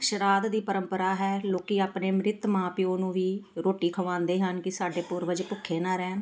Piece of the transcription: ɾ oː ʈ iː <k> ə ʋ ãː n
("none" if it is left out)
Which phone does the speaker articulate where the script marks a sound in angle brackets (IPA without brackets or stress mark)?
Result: kʰ